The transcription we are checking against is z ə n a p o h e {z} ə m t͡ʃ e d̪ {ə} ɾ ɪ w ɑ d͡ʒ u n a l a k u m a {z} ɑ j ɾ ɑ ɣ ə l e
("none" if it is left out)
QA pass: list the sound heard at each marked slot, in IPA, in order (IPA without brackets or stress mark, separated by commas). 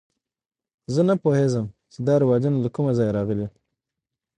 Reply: z, ɑ, z